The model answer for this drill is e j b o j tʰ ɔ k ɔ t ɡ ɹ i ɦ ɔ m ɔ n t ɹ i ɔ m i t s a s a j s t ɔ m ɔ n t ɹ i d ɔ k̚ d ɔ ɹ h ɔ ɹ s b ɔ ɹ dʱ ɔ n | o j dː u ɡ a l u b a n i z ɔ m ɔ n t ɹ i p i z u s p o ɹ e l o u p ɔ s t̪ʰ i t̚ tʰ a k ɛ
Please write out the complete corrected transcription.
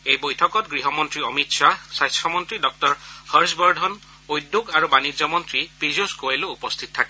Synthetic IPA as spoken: e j b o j tʰ ɔ k ɔ t ɡ ɹ i ɦ ɔ m ɔ n t ɹ i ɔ m i t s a s a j s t ɔ m ɔ n t ɹ i d ɔ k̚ t ɔ ɹ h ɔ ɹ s b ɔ ɹ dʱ ɔ n | o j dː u ɡ a ɹ u b a n i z ɔ m ɔ n t ɹ i p i z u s k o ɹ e l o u p ɔ s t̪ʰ i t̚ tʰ a k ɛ

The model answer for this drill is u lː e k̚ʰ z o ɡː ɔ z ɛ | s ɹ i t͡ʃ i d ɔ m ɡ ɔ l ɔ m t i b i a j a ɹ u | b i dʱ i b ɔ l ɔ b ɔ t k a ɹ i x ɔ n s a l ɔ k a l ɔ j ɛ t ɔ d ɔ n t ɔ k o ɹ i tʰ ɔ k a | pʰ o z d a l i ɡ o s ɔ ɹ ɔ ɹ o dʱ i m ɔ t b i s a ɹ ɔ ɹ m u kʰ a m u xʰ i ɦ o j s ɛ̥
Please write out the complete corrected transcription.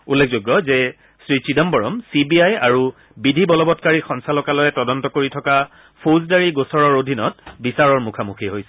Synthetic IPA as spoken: u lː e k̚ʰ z o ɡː ɔ z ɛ | s ɹ i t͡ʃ i d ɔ m b ɔ ɹ ɔ m s i b i a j a ɹ u | b i dʱ i b ɔ l ɔ b ɔ t k a ɹ i x ɔ n s a l ɔ k a l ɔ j ɛ t ɔ d ɔ n t ɔ k o ɹ i tʰ ɔ k a | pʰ o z d a ɹ i ɡ o s ɔ ɹ ɔ ɹ o dʱ i n ɔ t b i s a ɹ ɔ ɹ m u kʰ a m u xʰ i ɦ o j s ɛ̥

